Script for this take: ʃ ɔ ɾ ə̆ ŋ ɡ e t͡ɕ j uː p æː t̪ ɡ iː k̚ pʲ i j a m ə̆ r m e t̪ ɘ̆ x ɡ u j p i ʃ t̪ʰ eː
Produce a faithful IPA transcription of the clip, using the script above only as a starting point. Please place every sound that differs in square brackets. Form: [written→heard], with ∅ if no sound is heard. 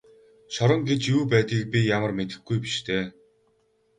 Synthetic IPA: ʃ ɔ ɾ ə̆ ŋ ɡ e t͡ɕ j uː p æː t̪ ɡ iː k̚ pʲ i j a m ə̆ r m e t̪ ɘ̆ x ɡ u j p i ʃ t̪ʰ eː